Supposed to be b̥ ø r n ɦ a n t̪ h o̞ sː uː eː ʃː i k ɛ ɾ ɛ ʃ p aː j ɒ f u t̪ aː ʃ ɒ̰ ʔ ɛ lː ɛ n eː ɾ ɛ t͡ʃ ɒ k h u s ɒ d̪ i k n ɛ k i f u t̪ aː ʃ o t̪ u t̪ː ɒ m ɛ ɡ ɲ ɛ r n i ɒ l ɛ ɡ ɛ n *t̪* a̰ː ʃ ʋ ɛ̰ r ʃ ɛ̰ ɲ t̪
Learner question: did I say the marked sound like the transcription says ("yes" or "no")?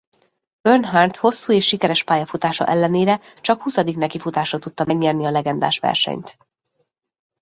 no